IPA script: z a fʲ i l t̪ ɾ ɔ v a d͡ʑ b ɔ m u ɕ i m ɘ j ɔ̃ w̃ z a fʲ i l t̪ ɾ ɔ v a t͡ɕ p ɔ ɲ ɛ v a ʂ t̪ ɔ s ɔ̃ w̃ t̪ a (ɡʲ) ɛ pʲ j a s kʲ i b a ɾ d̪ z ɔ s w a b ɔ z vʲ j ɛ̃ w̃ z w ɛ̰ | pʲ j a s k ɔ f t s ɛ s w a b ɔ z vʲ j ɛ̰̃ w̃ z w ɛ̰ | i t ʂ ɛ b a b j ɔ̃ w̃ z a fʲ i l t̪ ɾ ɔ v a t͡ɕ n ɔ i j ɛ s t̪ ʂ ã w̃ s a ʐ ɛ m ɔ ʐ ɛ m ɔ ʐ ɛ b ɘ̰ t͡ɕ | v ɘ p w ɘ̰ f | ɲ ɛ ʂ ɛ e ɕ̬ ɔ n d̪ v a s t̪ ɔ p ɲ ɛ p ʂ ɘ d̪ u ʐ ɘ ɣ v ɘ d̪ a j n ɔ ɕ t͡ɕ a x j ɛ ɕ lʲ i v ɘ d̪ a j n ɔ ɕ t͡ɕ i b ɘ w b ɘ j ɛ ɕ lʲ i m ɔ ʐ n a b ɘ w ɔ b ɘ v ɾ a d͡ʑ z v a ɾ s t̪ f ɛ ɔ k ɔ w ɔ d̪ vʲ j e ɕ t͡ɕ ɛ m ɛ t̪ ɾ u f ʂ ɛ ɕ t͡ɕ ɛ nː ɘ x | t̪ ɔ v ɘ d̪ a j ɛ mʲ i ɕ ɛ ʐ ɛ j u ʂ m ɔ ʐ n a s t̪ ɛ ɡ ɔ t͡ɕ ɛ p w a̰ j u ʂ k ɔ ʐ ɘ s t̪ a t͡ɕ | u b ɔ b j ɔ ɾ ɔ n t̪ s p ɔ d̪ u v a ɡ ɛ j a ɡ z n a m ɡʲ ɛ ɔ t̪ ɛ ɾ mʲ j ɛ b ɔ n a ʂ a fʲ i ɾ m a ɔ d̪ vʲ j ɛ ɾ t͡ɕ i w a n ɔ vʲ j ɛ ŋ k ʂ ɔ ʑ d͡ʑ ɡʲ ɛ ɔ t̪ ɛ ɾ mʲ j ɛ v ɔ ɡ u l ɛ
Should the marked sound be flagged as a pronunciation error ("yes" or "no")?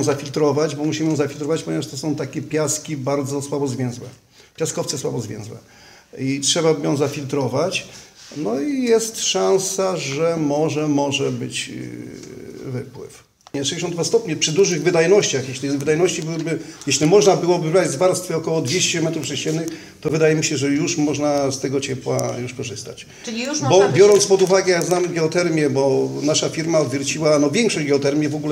yes